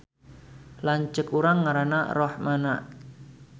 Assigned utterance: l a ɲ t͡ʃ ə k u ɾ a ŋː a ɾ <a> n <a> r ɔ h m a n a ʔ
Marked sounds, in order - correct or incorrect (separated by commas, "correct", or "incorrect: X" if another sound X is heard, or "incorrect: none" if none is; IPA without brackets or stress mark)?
correct, correct